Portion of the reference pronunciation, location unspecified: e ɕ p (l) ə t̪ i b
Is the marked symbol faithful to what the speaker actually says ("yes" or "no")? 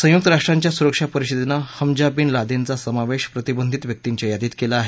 no